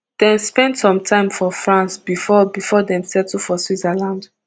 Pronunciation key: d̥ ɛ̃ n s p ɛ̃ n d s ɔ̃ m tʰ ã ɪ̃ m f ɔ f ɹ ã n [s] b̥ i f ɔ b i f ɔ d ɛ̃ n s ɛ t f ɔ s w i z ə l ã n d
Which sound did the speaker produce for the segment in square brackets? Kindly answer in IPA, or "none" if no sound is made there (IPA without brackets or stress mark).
s